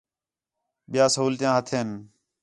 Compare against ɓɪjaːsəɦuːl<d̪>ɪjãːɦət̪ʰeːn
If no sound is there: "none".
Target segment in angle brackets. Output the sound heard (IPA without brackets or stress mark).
t̪